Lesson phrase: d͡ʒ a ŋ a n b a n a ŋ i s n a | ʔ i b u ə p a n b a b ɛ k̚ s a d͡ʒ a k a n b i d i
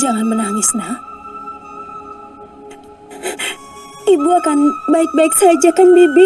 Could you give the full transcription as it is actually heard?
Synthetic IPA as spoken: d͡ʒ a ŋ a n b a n a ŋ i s n a | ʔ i b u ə k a n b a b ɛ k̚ s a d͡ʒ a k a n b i b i